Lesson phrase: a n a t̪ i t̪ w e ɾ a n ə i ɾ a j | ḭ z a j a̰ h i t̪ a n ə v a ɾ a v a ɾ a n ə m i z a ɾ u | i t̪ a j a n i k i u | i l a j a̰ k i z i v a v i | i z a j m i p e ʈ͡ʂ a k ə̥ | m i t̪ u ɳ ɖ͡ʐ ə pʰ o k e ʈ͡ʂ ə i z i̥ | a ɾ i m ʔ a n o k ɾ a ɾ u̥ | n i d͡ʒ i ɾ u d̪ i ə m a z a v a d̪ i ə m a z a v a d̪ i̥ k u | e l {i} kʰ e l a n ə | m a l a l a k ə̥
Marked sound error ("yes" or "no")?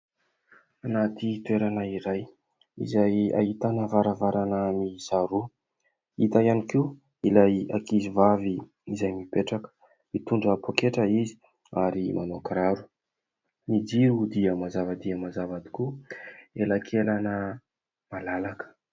yes